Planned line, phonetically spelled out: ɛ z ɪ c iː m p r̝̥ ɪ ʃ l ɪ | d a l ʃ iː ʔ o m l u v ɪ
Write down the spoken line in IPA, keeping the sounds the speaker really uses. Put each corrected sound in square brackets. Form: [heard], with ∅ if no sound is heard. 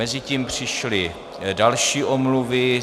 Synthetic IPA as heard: ɛ z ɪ c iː m p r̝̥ ɪ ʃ l ɪ | d a l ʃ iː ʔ o m l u v ɪ